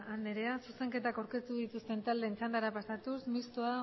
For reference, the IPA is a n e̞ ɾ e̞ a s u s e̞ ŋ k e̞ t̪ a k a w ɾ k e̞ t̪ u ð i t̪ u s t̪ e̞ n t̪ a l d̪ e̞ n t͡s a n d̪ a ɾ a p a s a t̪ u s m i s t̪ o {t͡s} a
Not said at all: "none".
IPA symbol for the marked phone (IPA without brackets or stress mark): none